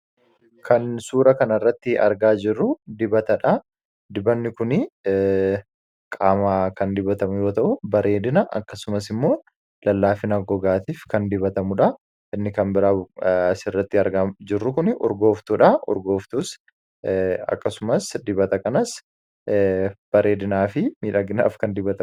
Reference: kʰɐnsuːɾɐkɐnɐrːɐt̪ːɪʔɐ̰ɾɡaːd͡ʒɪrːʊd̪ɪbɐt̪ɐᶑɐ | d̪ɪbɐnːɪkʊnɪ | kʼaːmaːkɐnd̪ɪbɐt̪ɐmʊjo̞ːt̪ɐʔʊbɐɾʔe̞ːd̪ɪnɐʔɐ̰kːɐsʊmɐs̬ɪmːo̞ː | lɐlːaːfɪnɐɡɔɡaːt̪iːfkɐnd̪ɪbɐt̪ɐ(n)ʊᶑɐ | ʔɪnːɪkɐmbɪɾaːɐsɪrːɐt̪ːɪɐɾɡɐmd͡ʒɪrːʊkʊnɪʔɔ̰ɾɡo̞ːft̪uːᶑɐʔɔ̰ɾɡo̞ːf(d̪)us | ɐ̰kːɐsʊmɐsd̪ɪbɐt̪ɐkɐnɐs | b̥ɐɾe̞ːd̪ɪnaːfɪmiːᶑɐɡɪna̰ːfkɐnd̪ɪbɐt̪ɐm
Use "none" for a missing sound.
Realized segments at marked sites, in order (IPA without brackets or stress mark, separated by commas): m, t̪